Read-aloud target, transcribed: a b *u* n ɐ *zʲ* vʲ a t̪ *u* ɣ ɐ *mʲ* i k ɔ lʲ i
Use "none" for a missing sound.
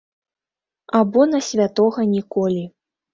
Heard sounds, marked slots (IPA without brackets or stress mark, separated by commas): ɔ, sʲ, ɔ, nʲ